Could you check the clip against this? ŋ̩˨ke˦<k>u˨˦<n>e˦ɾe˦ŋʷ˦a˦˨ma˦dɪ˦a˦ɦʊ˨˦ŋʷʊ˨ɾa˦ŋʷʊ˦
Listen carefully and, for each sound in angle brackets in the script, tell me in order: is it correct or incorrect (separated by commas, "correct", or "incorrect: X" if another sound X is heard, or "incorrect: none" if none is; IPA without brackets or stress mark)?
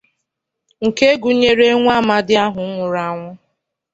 incorrect: ɡ, incorrect: ɲ